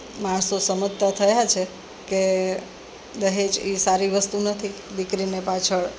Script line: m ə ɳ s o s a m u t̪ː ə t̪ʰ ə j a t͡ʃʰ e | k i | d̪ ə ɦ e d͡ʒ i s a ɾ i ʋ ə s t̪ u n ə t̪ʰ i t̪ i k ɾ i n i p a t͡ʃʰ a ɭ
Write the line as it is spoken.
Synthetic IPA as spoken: m a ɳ s o s ə m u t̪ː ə t̪ʰ ə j a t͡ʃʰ e | k e | d̪ ə ɦ e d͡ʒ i s a ɾ i ʋ ə s t̪ u n ə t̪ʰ i d̪ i k ɾ i n e p a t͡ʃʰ ə ɭ